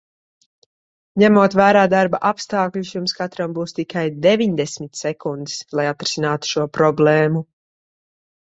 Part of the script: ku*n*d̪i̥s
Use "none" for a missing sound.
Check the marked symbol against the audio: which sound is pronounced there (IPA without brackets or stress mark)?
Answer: n